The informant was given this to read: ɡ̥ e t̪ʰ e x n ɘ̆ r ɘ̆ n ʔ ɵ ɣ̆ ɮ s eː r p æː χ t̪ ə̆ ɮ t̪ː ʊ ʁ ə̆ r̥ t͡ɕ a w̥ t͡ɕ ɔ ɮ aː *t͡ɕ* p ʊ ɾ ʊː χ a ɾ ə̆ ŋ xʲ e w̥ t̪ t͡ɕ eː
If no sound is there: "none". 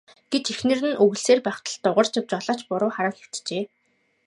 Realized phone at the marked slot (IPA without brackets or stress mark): t͡ɕ